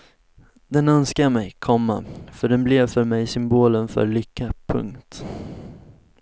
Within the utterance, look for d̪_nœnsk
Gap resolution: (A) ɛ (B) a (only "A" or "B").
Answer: A